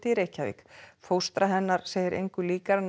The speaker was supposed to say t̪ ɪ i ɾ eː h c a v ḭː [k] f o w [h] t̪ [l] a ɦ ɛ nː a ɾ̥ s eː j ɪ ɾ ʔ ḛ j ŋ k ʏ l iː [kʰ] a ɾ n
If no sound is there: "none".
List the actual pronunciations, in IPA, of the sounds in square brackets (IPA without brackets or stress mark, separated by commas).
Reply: k, s, ɾ, k